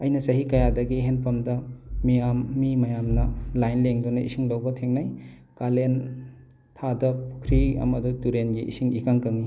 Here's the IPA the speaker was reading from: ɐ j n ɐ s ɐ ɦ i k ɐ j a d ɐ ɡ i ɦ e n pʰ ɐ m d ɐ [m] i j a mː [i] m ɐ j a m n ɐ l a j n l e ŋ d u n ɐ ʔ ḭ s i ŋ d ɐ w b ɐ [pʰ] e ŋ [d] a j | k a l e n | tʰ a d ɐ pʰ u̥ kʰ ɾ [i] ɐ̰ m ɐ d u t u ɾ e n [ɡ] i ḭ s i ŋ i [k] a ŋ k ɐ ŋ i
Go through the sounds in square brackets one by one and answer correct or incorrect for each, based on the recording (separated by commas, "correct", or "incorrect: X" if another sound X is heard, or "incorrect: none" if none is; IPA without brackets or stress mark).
correct, correct, incorrect: tʰ, incorrect: n, correct, correct, correct